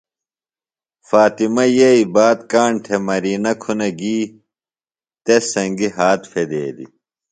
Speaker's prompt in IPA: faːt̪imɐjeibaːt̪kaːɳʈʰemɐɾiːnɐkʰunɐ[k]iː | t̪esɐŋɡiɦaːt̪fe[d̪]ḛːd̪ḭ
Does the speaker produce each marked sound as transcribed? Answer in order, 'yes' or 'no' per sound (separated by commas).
no, yes